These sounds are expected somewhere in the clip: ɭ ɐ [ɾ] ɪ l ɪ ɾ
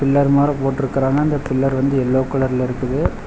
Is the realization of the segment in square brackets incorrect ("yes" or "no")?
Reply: no